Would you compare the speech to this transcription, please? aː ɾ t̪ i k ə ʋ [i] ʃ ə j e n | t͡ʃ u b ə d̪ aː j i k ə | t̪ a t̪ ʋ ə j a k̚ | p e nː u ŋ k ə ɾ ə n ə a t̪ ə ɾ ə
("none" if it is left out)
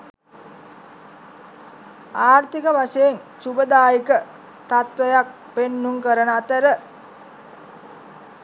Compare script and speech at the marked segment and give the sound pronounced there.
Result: a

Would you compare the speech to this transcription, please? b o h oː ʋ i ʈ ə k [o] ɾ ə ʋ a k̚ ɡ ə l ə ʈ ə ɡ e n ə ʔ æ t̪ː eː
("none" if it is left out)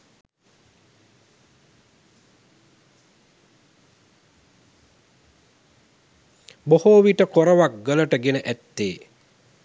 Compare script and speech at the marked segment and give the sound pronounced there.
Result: o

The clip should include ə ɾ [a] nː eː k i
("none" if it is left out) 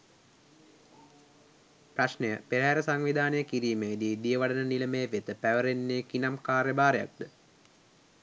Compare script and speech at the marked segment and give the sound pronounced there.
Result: e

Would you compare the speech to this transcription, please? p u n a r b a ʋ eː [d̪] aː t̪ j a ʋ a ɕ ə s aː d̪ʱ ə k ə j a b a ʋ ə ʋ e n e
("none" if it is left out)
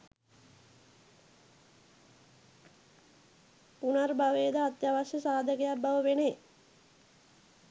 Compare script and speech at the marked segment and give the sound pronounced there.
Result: d̪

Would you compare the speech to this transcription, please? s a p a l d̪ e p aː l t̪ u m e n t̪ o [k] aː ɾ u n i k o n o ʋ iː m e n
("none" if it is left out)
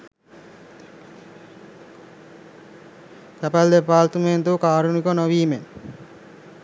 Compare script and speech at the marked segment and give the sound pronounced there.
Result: k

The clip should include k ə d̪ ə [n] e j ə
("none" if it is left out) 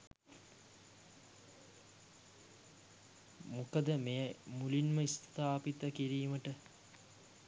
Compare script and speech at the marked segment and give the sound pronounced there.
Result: m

